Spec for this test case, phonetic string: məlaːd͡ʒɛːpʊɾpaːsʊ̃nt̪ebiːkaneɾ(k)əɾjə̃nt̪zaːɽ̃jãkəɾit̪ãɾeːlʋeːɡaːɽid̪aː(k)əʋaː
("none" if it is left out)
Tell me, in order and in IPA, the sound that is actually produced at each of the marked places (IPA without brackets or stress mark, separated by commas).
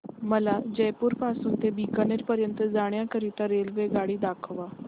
p, kʰ